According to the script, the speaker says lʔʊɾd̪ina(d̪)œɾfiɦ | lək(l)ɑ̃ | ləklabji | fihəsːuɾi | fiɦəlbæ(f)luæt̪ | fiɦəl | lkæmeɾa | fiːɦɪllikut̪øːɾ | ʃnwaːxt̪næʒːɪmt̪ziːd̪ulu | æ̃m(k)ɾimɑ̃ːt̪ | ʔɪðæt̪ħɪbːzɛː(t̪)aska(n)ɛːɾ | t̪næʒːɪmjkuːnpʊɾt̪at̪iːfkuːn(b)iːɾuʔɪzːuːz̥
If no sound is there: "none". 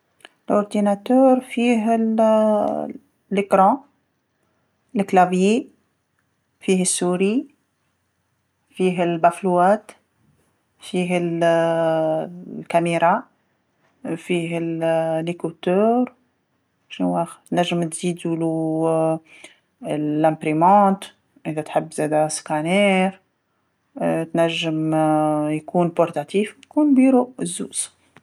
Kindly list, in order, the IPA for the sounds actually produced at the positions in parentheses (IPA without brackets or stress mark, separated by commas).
t̪, ɾ, f, p, d̪, n, b